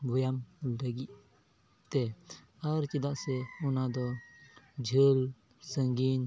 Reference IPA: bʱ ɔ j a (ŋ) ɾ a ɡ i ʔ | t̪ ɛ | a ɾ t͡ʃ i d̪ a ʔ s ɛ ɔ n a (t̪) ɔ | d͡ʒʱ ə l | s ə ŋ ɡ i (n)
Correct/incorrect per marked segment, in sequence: incorrect: m, incorrect: d̪, correct

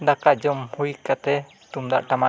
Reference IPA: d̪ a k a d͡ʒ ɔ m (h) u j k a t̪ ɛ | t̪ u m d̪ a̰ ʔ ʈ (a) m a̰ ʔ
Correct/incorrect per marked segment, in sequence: correct, correct

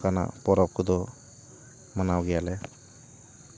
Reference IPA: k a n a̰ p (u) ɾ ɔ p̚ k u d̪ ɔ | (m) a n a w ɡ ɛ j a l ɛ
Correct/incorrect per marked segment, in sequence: incorrect: ɔ, correct

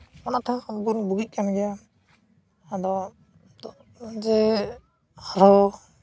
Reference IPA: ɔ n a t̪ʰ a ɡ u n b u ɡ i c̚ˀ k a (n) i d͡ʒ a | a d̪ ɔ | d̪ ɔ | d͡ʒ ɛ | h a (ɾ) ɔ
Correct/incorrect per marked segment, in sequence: incorrect: m, correct

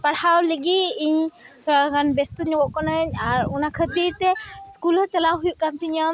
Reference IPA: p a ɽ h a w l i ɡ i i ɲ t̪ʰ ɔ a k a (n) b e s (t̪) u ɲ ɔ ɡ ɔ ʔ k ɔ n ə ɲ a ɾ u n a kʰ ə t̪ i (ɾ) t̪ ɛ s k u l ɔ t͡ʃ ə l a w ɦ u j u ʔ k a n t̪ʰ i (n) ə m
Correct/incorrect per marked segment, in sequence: correct, correct, correct, incorrect: ɲ

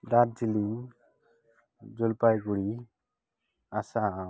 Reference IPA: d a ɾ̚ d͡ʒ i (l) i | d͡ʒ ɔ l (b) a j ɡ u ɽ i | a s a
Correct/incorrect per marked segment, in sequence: correct, incorrect: p

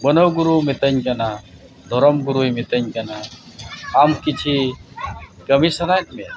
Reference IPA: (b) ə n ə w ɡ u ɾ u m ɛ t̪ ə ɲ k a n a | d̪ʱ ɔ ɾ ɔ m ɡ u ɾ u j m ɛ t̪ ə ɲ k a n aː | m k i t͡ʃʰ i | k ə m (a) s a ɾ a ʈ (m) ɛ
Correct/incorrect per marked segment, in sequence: correct, incorrect: i, correct

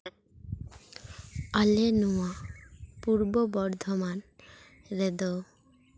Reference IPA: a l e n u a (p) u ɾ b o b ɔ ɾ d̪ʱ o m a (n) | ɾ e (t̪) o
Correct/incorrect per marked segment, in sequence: correct, correct, incorrect: d̪

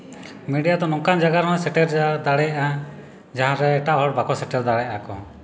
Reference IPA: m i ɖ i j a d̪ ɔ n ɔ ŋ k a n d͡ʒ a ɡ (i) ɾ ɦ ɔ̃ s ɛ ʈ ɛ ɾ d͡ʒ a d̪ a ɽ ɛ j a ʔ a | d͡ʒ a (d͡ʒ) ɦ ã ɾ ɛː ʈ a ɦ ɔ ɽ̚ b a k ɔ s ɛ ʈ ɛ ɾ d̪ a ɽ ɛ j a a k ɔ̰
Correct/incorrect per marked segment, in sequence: incorrect: a, incorrect: none

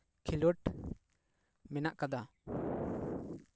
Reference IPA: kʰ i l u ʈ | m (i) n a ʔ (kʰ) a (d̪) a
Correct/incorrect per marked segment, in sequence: incorrect: ɛ, incorrect: k, correct

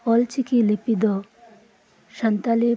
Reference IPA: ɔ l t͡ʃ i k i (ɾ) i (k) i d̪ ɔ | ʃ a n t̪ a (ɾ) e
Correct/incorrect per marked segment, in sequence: incorrect: l, incorrect: p, incorrect: l

